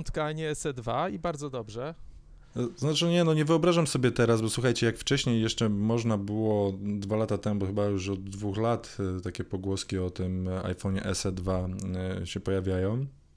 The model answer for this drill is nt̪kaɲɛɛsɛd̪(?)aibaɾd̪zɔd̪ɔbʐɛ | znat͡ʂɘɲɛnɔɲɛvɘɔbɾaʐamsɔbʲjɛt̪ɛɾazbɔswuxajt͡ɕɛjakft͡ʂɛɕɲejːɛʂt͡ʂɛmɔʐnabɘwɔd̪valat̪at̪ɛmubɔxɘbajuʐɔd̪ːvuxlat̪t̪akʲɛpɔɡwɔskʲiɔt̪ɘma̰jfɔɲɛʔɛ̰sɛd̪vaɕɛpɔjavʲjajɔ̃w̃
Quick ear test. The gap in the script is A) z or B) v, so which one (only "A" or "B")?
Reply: B